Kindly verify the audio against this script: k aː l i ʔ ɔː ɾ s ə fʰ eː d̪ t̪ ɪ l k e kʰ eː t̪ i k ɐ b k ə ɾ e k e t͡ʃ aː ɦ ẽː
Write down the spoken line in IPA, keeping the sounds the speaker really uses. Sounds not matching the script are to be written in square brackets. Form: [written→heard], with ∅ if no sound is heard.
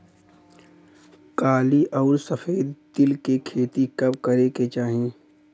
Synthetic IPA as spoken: k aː l i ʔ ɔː ɾ s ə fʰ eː d̪ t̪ ɪ l k e kʰ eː t̪ i k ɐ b k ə ɾ e k e t͡ʃ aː ɦ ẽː

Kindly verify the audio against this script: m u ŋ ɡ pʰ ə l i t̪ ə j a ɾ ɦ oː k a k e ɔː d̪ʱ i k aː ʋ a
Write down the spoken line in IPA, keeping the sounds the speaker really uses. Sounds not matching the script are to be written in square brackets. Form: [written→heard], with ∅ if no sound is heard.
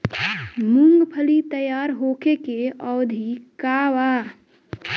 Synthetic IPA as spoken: m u ŋ ɡ pʰ ə l i t̪ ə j a ɾ ɦ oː k [a→e] k e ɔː d̪ʱ i k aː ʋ a

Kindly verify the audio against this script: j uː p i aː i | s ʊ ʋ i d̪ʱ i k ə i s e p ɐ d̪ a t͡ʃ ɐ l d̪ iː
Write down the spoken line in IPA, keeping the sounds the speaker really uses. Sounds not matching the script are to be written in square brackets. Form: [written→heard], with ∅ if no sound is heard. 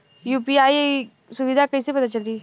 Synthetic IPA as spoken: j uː p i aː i | s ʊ ʋ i d̪ʱ [i→a] k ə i s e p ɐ [d̪→t̪] a t͡ʃ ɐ l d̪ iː

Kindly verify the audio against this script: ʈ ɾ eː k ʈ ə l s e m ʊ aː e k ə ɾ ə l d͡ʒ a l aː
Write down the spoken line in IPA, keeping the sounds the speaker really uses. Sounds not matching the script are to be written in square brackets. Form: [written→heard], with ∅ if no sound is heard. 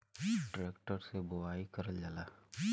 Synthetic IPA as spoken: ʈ ɾ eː k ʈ ə [l→ɾ] s e [m→b] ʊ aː [e→i] k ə ɾ ə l d͡ʒ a l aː

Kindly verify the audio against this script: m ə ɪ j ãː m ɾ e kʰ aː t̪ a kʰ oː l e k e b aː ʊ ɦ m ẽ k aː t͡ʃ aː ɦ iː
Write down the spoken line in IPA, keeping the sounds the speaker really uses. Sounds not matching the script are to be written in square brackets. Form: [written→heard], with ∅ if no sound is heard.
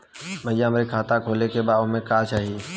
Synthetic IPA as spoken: m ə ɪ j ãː m ɾ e kʰ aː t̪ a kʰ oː l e k e b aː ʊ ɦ m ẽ k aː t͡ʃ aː ɦ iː

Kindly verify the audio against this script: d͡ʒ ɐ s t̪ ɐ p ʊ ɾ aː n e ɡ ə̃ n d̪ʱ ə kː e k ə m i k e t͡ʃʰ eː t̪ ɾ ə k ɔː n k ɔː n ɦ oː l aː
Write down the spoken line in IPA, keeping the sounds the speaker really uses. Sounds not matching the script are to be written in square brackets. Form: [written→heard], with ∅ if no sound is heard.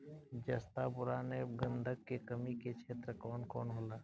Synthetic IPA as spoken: d͡ʒ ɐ s t̪ [ɐ→a] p ʊ ɾ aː n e ɡ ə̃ n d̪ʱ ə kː e k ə m i k e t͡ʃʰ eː t̪ ɾ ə k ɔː n k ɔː n ɦ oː l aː

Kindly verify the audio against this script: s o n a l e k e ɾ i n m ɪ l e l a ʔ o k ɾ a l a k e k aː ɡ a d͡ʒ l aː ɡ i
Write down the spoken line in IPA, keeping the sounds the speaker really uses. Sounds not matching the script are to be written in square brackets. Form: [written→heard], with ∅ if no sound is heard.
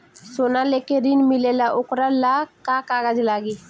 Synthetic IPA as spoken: s o n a l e k e ɾ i n m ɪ l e l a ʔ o k ɾ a l a k [e→a] k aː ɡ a d͡ʒ l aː ɡ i

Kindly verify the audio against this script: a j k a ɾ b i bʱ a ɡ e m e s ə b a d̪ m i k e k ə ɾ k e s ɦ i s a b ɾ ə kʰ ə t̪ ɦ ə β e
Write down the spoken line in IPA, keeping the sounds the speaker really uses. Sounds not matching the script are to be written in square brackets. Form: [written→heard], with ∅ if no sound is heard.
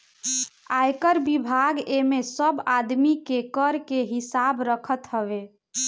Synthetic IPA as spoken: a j k [a→ə] ɾ b i bʱ a ɡ e m e s ə b a d̪ m i k e k ə ɾ k e [s→∅] ɦ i s a b ɾ ə kʰ ə t̪ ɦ ə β e

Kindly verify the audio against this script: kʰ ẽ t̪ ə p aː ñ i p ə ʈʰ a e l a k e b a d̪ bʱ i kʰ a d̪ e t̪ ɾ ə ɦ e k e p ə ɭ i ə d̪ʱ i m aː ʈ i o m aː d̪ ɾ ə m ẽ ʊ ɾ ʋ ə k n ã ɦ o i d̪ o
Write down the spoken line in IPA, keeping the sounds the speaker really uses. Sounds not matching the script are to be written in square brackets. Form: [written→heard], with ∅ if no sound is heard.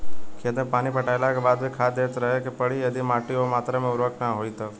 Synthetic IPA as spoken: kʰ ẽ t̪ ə p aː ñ i p ə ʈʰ a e l a k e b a d̪ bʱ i kʰ a d̪ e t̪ ɾ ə ɦ e k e p ə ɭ i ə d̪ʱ i m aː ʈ i o m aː [d̪→t̪] ɾ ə m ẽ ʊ ɾ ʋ ə k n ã ɦ o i [d̪→t̪] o

